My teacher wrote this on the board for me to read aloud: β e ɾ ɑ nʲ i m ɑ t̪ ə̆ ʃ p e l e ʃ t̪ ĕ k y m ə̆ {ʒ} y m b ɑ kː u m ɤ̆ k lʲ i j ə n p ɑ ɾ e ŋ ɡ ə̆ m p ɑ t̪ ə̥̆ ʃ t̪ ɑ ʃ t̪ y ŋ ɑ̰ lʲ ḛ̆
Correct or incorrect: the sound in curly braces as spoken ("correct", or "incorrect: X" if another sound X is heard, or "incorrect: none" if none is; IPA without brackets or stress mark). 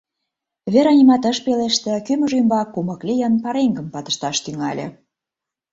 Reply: correct